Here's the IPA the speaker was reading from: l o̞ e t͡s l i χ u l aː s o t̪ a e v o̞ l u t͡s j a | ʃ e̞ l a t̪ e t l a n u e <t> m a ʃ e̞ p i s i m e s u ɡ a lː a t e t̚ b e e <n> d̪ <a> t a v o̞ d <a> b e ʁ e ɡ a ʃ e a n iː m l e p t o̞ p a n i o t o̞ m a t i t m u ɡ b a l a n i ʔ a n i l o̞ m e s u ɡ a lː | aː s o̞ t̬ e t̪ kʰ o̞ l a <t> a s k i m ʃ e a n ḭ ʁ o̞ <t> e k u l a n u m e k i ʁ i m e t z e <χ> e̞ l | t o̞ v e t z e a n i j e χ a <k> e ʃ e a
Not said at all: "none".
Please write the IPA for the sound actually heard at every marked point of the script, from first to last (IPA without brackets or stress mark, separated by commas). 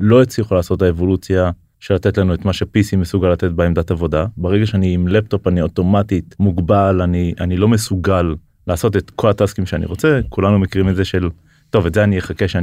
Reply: t, m, a, a, t, t͡s, ʃ, k